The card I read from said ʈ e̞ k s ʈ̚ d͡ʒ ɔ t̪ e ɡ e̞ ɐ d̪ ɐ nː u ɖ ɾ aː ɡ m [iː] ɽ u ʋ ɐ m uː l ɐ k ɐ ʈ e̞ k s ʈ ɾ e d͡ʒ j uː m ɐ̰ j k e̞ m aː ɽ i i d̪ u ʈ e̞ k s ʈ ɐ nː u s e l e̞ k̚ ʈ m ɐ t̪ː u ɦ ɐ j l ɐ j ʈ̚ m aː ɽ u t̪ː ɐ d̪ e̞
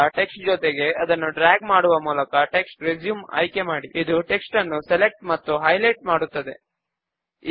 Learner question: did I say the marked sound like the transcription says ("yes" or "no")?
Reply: no